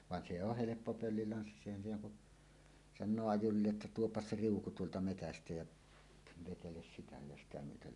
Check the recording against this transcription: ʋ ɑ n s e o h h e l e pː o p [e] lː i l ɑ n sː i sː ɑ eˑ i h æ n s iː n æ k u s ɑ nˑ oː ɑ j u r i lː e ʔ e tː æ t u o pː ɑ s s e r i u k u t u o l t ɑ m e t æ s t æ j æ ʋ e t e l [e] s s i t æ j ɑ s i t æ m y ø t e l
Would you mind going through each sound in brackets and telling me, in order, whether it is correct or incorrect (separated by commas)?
incorrect, correct